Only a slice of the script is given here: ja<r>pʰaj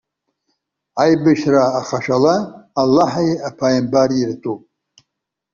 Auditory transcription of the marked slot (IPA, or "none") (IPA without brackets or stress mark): none